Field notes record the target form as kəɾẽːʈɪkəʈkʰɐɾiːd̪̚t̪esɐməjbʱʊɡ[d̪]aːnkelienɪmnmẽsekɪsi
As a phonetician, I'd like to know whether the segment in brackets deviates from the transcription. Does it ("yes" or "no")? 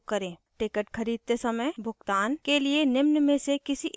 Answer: yes